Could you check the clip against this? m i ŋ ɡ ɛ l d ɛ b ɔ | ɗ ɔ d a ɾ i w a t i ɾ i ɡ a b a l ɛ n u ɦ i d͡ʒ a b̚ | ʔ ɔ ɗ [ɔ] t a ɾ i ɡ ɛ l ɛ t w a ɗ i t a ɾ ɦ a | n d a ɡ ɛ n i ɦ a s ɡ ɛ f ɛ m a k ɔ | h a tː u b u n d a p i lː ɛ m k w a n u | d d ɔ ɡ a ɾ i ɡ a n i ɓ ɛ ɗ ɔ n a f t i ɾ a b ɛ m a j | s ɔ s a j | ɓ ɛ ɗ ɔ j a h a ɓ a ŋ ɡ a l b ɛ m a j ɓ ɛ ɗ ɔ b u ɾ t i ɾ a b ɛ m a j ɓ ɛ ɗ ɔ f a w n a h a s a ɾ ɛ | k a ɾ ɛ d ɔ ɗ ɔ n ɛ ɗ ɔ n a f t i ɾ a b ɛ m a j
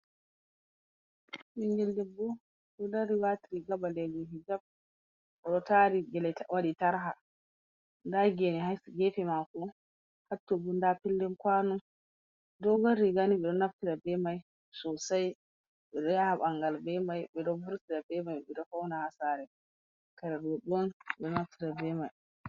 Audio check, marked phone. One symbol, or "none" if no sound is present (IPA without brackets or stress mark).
ɔ